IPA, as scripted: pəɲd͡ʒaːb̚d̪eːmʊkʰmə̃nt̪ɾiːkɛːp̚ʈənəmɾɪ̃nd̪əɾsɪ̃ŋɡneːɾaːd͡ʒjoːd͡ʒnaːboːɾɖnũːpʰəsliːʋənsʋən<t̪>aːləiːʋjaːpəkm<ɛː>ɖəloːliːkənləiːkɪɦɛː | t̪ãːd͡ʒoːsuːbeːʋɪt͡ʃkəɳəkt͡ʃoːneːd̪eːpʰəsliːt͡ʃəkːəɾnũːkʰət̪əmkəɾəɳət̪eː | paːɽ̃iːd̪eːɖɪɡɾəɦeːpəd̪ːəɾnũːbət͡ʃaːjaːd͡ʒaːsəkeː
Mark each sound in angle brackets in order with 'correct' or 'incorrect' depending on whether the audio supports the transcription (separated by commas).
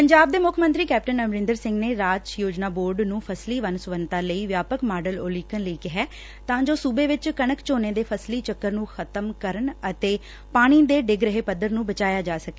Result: correct, incorrect